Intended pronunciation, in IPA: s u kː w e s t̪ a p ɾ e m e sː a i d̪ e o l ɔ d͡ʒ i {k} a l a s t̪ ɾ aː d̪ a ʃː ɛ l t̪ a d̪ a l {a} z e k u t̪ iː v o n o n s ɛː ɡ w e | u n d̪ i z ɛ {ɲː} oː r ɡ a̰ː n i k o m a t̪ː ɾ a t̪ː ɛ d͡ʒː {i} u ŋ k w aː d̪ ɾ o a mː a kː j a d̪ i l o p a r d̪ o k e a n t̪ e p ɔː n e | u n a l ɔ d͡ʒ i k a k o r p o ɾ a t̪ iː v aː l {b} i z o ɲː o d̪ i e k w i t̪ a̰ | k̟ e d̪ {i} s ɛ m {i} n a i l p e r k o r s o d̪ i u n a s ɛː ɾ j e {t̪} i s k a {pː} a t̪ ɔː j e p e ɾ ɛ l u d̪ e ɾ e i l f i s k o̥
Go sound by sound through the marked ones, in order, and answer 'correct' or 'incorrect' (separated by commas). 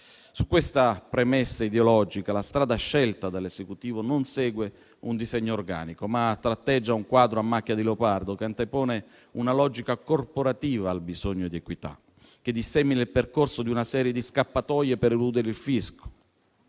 correct, incorrect, correct, incorrect, correct, correct, correct, incorrect, correct